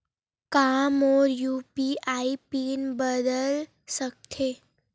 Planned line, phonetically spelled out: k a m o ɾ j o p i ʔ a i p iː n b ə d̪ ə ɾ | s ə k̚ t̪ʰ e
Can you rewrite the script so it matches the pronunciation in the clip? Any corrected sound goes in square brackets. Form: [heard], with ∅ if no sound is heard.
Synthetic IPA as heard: k a m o ɾ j [u] p i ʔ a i p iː n b ə d̪ ə [l] | s ə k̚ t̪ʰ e

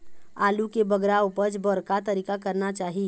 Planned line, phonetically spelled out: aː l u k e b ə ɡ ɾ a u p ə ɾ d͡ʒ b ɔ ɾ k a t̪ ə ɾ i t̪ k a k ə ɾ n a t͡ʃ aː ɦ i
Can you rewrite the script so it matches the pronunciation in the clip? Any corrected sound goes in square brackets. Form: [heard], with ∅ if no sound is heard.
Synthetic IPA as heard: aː l u k e b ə ɡ ɾ a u p ə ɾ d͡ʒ b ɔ ɾ k a t̪ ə ɾ i [∅] k a k ə ɾ n a t͡ʃ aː ɦ i

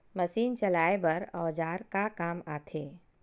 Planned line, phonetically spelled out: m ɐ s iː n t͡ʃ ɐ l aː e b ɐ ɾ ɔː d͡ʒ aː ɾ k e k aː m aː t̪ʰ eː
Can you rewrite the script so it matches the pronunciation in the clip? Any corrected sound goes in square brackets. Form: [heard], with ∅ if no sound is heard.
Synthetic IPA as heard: m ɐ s iː n t͡ʃ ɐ l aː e b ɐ ɾ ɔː d͡ʒ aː ɾ k [a] k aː m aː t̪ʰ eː

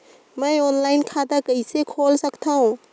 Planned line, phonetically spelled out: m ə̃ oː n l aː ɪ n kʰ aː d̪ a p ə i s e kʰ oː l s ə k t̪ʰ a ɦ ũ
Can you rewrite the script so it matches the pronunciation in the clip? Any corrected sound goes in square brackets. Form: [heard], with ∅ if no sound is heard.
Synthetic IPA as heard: m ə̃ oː n l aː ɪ n kʰ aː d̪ a [k] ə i s e kʰ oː l s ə k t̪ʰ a ɦ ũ

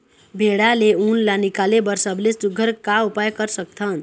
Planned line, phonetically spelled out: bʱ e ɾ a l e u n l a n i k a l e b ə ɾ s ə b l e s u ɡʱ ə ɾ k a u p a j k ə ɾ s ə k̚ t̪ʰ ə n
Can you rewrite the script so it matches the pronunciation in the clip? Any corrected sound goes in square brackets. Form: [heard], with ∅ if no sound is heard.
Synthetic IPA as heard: bʱ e [ɽ] a l e u n l a n i k a l e b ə ɾ s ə b l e s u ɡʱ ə ɾ k a u p a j k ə ɾ s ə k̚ t̪ʰ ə n

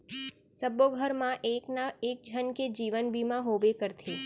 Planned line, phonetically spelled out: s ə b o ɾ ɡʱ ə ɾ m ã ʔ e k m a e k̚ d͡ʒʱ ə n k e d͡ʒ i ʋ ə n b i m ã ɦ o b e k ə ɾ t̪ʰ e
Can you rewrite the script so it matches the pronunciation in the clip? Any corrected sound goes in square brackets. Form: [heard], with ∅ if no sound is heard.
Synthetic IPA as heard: s ə b o [∅] ɡʱ ə ɾ m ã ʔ e k [n] a e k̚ d͡ʒʱ ə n k e d͡ʒ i ʋ ə n b i m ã ɦ o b e k ə ɾ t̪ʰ e

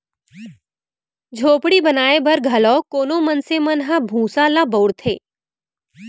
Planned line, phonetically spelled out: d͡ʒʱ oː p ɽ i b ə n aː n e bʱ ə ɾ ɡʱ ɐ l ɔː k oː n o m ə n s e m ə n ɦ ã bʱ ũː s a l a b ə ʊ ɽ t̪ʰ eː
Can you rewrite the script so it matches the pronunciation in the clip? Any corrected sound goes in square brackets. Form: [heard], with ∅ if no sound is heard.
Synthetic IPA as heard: d͡ʒʱ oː p ɽ i b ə n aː [∅] e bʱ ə ɾ ɡʱ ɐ l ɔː k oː n o m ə n s e m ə n ɦ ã bʱ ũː s a l a b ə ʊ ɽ t̪ʰ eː

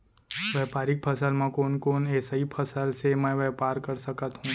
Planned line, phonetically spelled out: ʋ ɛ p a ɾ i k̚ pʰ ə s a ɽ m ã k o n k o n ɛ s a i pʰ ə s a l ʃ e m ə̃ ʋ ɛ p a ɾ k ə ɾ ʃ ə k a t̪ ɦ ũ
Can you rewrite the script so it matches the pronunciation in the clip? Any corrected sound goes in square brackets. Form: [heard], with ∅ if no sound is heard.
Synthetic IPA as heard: ʋ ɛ p a ɾ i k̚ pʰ ə s a [l] m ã k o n k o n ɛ s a i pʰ ə s a l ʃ e m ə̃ ʋ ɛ p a ɾ k ə ɾ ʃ ə k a t̪ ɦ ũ

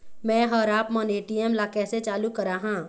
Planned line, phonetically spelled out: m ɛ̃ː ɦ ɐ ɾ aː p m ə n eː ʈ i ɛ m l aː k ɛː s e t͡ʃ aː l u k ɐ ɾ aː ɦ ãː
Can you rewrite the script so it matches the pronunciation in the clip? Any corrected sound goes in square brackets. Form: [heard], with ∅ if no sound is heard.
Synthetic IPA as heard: m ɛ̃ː ɦ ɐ ɾ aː p m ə n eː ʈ i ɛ m l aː k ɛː s e t͡ʃ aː l u k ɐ ɾ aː ɦ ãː

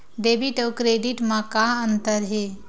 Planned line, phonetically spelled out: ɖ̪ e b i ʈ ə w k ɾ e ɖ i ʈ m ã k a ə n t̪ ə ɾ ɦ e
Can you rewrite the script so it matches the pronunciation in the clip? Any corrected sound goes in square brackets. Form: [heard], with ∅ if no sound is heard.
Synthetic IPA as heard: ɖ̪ e b i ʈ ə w k ɾ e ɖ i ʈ m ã k a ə n t̪ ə ɾ ɦ e

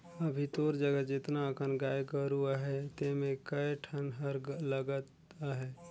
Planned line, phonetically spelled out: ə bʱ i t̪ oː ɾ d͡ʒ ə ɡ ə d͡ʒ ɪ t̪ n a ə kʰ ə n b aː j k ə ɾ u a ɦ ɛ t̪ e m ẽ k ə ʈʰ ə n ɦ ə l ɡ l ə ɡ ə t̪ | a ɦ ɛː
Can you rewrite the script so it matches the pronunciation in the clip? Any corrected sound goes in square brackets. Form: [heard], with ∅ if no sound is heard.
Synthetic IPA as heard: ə bʱ i t̪ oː ɾ d͡ʒ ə ɡ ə d͡ʒ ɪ t̪ n a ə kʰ ə n [ɡ] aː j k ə ɾ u a ɦ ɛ t̪ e m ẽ k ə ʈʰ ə n ɦ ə [ɾ] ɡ l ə ɡ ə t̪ | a ɦ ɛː

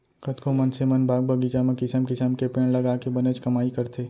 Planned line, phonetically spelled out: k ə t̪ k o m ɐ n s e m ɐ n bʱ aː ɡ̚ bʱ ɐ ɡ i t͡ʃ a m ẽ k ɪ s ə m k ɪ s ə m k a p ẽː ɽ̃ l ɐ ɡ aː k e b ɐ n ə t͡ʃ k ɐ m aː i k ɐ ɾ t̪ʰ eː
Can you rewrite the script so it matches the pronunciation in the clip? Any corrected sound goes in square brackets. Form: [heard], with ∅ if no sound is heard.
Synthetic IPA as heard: k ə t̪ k o m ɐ n s e m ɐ n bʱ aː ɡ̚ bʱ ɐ ɡ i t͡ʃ a m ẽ k ɪ s ə m k ɪ s ə m k [e] p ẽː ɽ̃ l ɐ ɡ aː k e b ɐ n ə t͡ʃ k ɐ m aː i k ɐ ɾ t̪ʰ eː

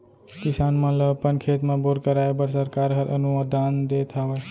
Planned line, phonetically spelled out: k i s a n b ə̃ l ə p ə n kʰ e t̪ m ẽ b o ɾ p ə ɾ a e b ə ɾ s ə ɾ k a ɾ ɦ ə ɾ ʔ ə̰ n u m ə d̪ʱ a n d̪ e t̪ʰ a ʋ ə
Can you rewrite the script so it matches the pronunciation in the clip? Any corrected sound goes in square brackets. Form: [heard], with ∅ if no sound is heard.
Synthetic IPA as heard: k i s a n [m] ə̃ l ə p ə n kʰ e t̪ m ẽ b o ɾ [k] ə ɾ a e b ə ɾ s ə ɾ k a ɾ ɦ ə ɾ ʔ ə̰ n u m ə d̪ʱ a n d̪ e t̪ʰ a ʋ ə

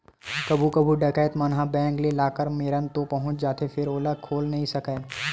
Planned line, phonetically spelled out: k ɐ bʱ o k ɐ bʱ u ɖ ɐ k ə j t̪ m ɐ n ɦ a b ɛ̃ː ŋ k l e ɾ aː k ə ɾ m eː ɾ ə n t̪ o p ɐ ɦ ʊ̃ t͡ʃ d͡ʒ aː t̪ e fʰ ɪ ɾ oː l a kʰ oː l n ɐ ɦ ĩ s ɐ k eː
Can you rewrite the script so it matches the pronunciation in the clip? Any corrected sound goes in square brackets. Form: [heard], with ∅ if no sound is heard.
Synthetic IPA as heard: k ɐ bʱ [u] k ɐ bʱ u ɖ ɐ k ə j t̪ m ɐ n ɦ a b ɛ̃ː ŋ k l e [l] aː k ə ɾ m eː ɾ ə n t̪ o p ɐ ɦ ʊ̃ t͡ʃ d͡ʒ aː t̪ e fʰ ɪ ɾ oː l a kʰ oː l n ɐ ɦ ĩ s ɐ k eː

